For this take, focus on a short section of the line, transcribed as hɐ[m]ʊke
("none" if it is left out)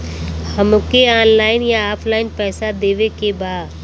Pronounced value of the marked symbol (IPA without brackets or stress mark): m